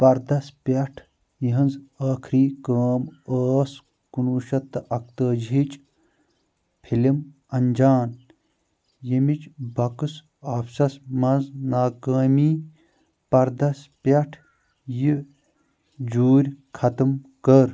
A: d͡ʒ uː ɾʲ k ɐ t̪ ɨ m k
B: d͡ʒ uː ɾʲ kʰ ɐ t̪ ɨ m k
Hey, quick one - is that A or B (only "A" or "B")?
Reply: B